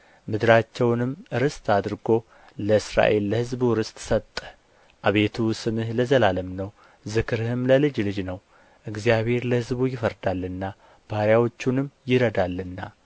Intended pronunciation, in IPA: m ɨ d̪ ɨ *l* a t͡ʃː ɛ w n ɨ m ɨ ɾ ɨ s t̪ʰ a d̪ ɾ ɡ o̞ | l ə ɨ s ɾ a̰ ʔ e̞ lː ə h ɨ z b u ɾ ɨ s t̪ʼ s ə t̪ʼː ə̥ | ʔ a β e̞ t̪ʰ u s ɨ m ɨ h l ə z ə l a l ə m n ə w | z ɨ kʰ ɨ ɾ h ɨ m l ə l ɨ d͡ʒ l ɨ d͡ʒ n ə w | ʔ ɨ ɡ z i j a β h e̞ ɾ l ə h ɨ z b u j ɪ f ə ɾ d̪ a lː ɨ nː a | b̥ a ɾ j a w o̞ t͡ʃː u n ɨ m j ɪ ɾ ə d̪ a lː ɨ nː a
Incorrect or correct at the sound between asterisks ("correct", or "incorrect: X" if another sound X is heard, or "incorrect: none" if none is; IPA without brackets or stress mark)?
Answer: incorrect: ɾ